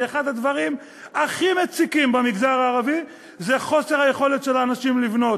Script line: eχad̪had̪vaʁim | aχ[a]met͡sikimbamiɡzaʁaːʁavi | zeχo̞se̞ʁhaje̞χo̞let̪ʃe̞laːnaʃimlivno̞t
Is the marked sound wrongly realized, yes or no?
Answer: yes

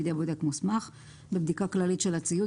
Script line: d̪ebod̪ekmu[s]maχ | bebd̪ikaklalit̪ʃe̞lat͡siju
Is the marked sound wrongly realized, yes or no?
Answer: no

